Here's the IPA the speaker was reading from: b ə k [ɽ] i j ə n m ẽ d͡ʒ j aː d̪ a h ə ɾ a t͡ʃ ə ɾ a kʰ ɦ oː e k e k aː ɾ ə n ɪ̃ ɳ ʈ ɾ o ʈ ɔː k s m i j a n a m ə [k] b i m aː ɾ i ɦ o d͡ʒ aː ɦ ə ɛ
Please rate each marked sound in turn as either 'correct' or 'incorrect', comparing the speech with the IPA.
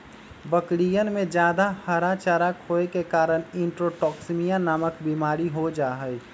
correct, correct

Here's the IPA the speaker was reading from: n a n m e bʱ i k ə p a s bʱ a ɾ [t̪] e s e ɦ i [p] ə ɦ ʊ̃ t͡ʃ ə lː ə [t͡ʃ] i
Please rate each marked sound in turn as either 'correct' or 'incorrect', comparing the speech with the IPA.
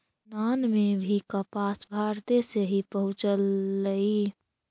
correct, correct, incorrect

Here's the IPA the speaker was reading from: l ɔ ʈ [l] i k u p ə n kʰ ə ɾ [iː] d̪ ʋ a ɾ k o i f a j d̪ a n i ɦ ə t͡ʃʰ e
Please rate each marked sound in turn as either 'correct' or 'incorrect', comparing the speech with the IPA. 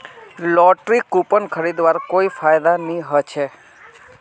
incorrect, incorrect

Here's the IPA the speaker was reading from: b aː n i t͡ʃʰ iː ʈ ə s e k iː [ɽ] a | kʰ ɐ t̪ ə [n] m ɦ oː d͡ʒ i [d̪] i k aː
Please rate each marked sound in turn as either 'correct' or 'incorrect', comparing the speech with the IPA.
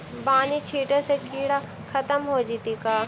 correct, incorrect, incorrect

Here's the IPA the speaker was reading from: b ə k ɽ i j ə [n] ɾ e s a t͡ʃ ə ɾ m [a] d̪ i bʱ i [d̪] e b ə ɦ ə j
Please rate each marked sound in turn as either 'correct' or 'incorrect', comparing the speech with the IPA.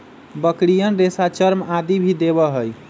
correct, correct, correct

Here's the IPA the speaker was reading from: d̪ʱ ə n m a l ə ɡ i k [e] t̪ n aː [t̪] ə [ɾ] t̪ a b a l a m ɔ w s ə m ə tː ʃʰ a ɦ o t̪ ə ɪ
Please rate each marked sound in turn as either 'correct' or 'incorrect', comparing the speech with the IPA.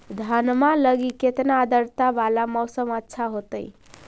correct, incorrect, correct

